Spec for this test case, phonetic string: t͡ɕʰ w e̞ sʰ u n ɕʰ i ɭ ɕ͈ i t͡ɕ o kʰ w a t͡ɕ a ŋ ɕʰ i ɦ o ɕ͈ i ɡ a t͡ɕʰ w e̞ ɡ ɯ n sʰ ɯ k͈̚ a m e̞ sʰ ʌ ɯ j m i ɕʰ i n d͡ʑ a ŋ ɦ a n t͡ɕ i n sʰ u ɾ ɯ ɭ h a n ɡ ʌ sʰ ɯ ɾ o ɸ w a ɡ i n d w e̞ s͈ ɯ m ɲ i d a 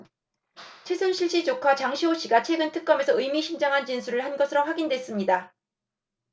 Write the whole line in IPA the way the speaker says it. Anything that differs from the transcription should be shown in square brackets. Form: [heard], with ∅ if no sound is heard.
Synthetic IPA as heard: t͡ɕʰ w e̞ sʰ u n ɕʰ i ɭ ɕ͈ i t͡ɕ o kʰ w a t͡ɕ a ŋ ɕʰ i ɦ o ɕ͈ i ɡ a t͡ɕʰ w e̞ ɡ ɯ n [tʰ] ɯ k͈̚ [ʌ] m e̞ sʰ ʌ ɯ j m i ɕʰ i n d͡ʑ a ŋ ɦ a n t͡ɕ i n sʰ u ɾ ɯ ɭ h a n ɡ ʌ sʰ ɯ ɾ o ɸ w a ɡ i n d w e̞ s͈ ɯ m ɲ i d a